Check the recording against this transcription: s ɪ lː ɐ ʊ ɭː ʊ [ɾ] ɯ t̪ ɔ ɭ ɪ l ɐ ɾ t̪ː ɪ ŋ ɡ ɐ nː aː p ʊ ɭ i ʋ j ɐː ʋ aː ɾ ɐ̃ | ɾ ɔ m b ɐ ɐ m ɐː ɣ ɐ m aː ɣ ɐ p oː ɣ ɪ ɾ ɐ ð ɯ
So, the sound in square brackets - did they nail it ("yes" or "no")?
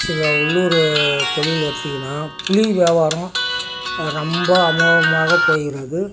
yes